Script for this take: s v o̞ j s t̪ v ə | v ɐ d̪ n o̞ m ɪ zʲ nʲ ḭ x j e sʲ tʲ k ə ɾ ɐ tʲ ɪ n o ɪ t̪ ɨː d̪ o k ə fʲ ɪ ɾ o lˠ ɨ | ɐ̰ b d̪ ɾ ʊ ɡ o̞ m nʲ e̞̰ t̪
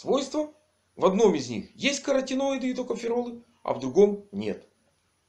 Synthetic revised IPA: s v o̞ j s t̪ v ə | v ɐ d̪ n o̞ m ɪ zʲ nʲ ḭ x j e sʲ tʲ k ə ɾ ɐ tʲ ɪ n o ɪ d̪ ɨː t̪ o k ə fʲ ɪ ɾ o lˠ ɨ | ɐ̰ v d̪ ɾ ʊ ɡ o̞ m nʲ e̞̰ t̪